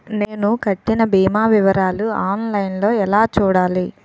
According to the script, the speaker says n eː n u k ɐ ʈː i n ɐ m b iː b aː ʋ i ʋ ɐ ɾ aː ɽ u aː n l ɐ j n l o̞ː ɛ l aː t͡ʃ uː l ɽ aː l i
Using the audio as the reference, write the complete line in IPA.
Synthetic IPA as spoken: n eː n u k ɐ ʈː i n ɐ b iː m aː ʋ i ʋ ɐ ɾ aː l u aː n l ɐ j n l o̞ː ɛ l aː t͡ʃ uː ɽ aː l i